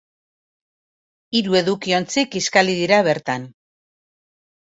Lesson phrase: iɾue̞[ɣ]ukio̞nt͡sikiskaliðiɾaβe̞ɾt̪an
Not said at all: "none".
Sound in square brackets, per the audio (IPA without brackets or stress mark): ð